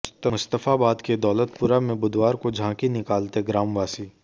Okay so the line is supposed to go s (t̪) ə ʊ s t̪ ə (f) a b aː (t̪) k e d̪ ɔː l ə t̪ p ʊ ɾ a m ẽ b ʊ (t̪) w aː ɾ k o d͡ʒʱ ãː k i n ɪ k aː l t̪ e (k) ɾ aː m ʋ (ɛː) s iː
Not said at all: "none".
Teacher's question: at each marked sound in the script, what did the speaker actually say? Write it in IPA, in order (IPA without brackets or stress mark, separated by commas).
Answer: t̪, f, d̪, d̪, ɡ, aː